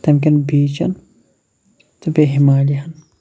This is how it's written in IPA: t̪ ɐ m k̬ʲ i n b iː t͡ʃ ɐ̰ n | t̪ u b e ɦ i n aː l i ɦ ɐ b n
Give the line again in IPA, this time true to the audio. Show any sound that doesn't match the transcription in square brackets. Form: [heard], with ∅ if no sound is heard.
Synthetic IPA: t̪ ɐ m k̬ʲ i n b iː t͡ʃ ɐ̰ n | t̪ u b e ɦ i [m] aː l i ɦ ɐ [∅] n

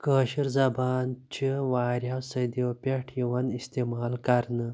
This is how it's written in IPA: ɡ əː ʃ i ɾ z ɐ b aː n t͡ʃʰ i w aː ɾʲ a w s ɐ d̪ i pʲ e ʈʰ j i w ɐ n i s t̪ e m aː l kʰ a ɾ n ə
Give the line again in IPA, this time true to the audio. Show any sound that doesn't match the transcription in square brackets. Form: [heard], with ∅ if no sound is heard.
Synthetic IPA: [k] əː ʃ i ɾ z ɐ b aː n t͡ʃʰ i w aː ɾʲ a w s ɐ d̪ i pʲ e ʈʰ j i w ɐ n i s t̪ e m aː l [k] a ɾ n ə

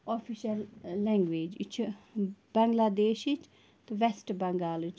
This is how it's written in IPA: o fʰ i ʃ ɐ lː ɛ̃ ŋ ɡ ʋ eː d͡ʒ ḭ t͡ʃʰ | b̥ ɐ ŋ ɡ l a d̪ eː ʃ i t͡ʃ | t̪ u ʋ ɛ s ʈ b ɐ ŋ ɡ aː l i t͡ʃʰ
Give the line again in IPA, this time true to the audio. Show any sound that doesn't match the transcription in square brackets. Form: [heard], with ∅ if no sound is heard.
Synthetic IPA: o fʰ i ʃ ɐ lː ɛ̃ ŋ ɡ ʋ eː d͡ʒ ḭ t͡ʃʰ | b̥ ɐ ŋ ɡ l a d̪ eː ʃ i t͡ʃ | t̪ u ʋ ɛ s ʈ b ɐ ŋ ɡ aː l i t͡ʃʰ

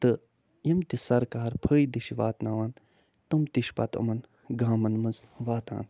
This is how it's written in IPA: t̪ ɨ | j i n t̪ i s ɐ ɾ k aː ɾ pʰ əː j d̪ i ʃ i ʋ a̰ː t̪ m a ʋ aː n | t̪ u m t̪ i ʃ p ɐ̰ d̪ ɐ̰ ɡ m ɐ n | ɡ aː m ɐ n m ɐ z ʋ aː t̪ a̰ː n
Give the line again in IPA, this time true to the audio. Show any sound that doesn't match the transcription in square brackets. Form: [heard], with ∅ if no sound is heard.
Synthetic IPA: t̪ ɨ | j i [m] t̪ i s ɐ ɾ k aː ɾ pʰ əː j d̪ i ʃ i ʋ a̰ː t̪ [n] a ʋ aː n | t̪ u m t̪ i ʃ p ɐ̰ [t̪] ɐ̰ [∅] m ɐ n | ɡ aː m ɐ n m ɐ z ʋ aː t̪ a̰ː n

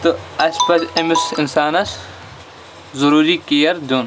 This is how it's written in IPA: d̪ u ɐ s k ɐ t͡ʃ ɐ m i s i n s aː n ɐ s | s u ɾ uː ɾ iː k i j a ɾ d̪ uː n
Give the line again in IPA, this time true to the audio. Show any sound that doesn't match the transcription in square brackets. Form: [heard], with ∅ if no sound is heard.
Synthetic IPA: [t̪] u ɐ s [p] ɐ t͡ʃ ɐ m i s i n s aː n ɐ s | [z] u ɾ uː ɾ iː k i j [ɐ] ɾ d̪ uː n

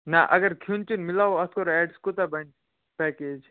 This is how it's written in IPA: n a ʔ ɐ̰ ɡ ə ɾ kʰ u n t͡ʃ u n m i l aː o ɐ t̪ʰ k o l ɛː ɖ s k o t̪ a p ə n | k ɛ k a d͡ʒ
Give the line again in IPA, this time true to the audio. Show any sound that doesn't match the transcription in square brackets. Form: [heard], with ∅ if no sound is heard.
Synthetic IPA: n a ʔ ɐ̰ ɡ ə ɾ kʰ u n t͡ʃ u n m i l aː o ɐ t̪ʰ k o [ɾ] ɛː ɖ s k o t̪ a [b] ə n | [p] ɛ k [e] d͡ʒ

